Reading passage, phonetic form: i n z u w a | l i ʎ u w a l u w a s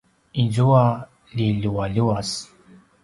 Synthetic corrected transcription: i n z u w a | l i l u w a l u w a s